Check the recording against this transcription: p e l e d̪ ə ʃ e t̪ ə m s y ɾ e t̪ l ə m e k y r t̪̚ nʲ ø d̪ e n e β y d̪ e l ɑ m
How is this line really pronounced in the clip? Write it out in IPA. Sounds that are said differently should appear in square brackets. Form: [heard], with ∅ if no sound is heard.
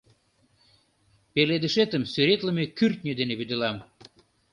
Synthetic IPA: p e l e d̪ ə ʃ e t̪ ə m s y ɾ e t̪ l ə m e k y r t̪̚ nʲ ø d̪ e n e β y d̪ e l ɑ m

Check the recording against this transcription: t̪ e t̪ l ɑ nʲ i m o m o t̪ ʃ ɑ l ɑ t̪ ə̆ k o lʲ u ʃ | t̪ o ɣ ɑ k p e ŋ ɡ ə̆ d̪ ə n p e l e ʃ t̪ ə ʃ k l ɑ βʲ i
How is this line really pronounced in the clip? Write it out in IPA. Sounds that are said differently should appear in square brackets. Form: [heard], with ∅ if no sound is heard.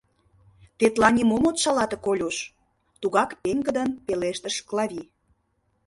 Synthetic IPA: t̪ e t̪ l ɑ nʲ i m o m o t̪ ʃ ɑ l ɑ t̪ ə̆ k o lʲ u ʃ | t̪ [u] ɣ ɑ k p e ŋ ɡ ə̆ d̪ ə n p e l e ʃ t̪ ə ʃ k l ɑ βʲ i

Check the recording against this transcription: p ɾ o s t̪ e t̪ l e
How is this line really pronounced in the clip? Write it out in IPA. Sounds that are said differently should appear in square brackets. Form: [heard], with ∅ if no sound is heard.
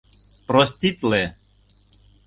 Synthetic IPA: p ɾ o s t̪ [i] t̪ l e

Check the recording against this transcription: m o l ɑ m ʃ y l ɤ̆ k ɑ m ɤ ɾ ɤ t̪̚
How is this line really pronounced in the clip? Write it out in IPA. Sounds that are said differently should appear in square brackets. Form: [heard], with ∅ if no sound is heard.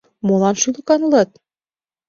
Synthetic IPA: m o l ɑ [n] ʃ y l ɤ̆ k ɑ [n] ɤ [l] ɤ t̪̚

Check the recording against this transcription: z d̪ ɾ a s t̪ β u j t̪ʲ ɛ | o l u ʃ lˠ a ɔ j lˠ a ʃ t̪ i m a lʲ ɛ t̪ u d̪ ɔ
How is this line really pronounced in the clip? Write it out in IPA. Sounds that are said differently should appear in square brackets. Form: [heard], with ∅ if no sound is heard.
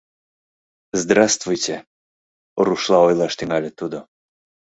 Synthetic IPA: z d̪ ɾ a s t̪ [v] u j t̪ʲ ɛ | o [ɾ] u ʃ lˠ a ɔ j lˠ a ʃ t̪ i [ŋ] a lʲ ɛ t̪ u d̪ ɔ

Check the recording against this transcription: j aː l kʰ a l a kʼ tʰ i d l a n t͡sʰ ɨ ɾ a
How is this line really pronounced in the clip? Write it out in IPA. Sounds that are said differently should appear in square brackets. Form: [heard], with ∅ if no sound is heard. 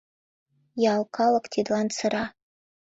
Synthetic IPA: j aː l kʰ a l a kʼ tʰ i d l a n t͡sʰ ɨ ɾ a

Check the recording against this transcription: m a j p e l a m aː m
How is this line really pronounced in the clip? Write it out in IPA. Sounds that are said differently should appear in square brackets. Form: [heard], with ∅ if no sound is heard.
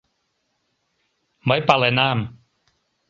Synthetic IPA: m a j p [a] l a [n] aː m

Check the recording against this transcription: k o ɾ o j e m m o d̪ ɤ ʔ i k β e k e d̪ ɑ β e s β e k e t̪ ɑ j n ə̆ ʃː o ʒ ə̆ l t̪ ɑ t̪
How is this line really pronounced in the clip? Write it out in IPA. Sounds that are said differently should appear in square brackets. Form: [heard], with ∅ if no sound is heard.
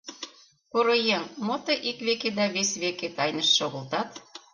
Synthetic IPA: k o ɾ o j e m m o [t̪] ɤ ʔ i k β e k e d̪ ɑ β e s β e k e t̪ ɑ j n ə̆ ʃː o [ɣ] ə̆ l t̪ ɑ t̪

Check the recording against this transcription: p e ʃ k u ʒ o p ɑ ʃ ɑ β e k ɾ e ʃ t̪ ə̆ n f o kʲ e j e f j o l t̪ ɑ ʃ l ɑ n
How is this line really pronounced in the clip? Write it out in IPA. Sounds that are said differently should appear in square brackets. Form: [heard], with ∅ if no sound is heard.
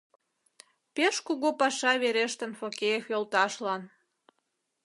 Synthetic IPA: p e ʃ k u [ɣ] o p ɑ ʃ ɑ β e [∅] ɾ e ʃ t̪ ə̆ n f o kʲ e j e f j o l t̪ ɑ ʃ l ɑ n

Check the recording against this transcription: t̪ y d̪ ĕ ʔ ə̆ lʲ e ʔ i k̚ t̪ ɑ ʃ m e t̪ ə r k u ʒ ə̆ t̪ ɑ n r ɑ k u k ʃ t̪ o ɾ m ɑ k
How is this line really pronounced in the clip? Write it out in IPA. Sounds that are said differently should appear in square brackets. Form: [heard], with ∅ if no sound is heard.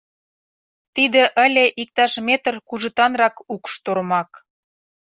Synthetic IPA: t̪ [i] d̪ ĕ ʔ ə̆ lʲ e ʔ i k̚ t̪ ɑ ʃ m e t̪ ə r k u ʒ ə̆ t̪ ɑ n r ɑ k u k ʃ t̪ o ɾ m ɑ k

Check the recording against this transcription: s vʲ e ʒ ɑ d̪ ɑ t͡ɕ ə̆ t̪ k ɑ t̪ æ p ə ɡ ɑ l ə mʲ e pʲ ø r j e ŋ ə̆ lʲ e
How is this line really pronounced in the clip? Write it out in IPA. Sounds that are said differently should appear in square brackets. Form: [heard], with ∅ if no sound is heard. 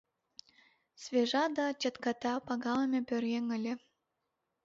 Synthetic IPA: s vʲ e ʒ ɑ d̪ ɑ t͡ɕ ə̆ t̪ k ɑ t̪ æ p [ɑ] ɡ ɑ l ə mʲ e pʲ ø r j e ŋ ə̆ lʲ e

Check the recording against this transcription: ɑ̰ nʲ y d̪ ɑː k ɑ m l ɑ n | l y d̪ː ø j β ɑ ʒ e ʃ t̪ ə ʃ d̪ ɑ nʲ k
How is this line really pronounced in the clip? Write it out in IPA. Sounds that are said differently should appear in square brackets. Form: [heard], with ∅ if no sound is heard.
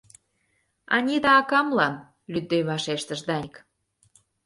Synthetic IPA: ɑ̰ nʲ [i] d̪ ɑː k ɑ m l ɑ n | l y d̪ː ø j β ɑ [ʃ] e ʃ t̪ ə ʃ d̪ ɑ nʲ k

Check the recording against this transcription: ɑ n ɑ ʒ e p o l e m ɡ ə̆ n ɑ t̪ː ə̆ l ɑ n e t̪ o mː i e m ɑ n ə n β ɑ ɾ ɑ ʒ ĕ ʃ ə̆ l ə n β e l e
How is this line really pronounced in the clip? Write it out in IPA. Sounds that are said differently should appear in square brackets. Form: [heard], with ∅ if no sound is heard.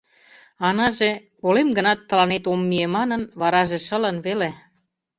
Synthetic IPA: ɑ n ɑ ʒ e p o l e m ɡ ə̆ n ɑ t̪ː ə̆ l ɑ n e t̪ o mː i e m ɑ n ə n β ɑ ɾ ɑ ʒ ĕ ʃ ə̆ l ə n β e l e

